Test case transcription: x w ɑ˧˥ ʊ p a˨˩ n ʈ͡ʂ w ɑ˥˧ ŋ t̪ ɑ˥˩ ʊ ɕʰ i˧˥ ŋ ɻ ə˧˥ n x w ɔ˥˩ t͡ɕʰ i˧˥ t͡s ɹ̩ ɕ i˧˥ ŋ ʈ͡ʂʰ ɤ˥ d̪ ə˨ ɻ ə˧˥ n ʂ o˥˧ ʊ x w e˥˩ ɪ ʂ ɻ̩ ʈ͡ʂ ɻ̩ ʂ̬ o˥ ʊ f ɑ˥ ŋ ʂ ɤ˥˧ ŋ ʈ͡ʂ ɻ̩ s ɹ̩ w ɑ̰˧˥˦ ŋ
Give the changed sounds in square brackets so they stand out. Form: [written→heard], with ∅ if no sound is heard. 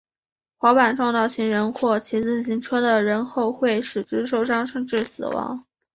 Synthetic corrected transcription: x w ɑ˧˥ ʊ p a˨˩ n ʈ͡ʂ w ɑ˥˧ ŋ t̪ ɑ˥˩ ʊ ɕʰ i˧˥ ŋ ɻ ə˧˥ n x w ɔ˥˩ t͡ɕʰ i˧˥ t͡s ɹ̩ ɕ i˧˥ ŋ ʈ͡ʂʰ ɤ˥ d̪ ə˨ ɻ ə˧˥ n [ʂ→x] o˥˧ ʊ x w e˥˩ ɪ ʂ ɻ̩ ʈ͡ʂ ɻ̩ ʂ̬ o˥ ʊ [f→ʂ] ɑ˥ ŋ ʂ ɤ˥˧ ŋ ʈ͡ʂ ɻ̩ s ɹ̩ w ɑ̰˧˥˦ ŋ